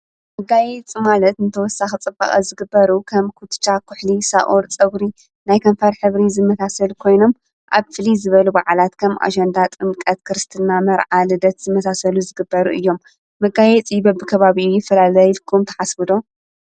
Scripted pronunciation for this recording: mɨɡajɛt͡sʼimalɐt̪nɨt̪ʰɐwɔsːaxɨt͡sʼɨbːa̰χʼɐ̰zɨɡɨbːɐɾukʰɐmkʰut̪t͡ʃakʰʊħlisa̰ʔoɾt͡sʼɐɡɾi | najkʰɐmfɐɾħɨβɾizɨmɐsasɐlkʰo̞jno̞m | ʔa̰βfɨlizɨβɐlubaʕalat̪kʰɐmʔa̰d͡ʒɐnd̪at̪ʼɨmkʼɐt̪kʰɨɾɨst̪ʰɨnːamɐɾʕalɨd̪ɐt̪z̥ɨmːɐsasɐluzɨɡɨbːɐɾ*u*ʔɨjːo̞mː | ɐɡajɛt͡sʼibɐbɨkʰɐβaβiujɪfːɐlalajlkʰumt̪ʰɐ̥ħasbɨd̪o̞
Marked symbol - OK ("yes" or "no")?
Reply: yes